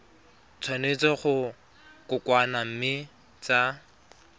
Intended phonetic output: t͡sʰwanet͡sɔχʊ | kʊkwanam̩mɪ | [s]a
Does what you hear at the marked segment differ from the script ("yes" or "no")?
yes